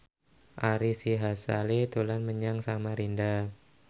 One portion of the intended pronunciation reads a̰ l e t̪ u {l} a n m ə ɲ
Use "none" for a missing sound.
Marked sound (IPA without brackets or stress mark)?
l